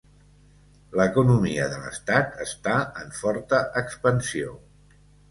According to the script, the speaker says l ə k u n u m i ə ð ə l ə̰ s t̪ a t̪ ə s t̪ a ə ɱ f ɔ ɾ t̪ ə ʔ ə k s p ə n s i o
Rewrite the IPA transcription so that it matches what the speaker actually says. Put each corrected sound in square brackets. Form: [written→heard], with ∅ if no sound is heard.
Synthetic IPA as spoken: l ə k u n u m i ə ð ə l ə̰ s t̪ a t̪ ə s t̪ a ə ɱ f ɔ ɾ t̪ ə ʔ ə k s p ə n s i o